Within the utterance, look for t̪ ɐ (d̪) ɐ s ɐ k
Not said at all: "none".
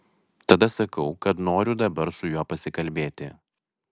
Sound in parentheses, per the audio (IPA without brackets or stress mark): d̪